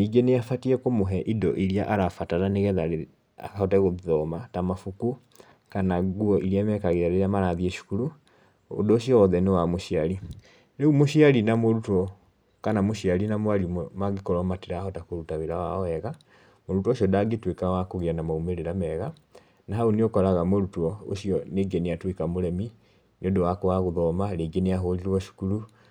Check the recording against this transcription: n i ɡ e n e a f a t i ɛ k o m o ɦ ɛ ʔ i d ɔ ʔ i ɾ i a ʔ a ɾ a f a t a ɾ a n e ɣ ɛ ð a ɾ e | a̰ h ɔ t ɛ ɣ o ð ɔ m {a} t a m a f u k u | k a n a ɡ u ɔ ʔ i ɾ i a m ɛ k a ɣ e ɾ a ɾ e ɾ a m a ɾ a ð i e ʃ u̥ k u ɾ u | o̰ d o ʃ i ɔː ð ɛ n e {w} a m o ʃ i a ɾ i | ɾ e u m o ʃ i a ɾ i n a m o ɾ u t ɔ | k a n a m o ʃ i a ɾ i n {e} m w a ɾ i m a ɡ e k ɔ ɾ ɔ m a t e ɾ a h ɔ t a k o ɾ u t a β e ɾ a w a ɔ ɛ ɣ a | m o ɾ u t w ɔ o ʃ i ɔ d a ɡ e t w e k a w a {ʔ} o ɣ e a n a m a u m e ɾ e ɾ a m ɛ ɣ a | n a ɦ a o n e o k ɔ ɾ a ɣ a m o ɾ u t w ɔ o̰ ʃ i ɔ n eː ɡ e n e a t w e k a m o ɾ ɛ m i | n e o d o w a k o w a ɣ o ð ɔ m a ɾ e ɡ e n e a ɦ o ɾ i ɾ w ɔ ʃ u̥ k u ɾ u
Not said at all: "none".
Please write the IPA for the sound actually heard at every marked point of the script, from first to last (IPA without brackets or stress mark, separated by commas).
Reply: a, w, a, k